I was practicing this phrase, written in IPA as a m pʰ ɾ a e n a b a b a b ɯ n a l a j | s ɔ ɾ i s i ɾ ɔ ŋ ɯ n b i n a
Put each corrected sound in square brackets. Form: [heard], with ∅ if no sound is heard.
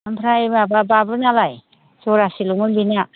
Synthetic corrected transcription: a m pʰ ɾ a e [m] a b a b a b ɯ n a l a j | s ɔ ɾ [a] s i [l] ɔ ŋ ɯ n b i n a